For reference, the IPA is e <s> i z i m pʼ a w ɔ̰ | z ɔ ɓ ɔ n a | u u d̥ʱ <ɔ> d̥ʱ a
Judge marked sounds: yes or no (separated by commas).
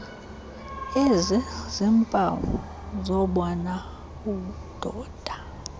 no, no